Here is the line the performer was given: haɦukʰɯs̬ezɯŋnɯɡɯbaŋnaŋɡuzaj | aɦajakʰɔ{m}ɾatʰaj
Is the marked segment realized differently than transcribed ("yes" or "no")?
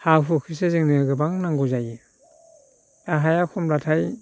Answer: no